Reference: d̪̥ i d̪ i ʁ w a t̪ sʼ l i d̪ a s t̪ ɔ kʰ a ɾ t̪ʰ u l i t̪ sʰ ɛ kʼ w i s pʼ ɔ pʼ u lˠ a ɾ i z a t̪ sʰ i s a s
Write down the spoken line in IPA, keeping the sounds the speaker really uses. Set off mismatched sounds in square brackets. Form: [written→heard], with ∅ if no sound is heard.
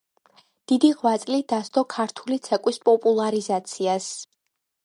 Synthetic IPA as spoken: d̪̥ i d̪ i ʁ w a t̪ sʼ l i d̪ a s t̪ ɔ kʰ a ɾ t̪ʰ u l i t̪ sʰ ɛ kʼ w i s pʼ ɔ pʼ u lˠ a ɾ i z a t̪ sʰ i [s→∅] a s